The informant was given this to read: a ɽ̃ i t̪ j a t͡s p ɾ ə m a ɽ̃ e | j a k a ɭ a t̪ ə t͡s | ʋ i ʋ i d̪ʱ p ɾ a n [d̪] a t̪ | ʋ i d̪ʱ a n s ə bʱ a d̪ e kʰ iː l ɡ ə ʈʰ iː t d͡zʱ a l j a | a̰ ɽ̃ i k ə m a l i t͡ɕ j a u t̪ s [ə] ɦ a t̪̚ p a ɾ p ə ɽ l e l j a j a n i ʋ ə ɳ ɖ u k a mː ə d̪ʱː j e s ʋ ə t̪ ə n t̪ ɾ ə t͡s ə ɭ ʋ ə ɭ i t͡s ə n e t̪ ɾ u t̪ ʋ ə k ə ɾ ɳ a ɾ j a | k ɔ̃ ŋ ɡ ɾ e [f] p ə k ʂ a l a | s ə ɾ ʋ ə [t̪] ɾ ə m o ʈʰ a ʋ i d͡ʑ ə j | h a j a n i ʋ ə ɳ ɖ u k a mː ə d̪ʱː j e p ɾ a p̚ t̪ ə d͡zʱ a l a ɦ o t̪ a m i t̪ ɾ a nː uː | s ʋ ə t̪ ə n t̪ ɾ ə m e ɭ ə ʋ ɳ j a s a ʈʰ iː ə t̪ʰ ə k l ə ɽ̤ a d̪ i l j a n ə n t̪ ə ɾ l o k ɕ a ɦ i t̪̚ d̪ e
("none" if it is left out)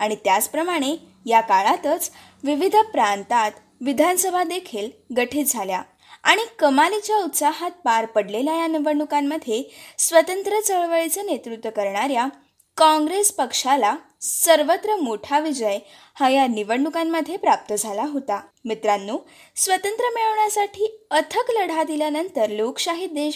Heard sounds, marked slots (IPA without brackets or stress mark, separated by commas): t̪, a, s, t̪